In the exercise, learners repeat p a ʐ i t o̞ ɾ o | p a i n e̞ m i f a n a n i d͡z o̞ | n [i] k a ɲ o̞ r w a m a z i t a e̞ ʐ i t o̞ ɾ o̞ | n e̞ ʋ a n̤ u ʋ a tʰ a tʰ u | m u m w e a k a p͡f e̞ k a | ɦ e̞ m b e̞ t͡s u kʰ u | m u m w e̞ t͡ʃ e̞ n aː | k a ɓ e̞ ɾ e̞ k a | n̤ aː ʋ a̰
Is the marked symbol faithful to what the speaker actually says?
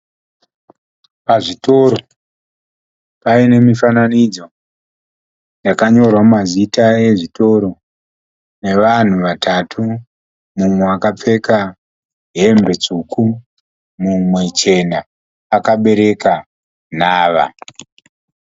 no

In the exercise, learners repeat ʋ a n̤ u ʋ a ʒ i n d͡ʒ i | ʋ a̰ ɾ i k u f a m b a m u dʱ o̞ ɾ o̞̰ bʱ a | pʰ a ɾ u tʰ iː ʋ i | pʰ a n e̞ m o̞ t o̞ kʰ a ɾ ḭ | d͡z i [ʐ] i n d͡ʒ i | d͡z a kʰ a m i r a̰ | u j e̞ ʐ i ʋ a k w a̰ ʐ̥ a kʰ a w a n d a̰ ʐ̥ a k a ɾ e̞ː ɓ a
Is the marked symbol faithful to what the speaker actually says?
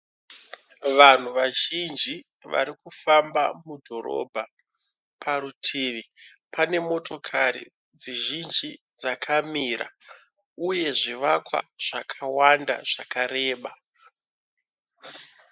no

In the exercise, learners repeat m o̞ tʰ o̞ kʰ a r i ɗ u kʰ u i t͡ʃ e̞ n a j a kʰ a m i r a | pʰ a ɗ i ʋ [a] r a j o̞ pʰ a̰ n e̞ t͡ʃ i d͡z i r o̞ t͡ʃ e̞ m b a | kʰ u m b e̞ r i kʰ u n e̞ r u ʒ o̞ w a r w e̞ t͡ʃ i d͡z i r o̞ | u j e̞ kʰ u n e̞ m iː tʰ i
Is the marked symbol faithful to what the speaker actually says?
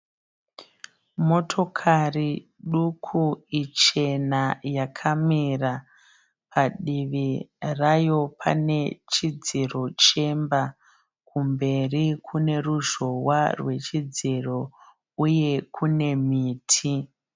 no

